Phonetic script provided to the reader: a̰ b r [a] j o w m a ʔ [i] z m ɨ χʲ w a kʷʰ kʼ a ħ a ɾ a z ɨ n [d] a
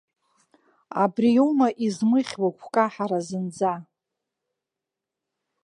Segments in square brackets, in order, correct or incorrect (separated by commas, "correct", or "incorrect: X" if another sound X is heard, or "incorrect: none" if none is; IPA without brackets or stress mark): incorrect: i, correct, incorrect: d͡z